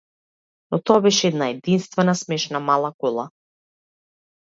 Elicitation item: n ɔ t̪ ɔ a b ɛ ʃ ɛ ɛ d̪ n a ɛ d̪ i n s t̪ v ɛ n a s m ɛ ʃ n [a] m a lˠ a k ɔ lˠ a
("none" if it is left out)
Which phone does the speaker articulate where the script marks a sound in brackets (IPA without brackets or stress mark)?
a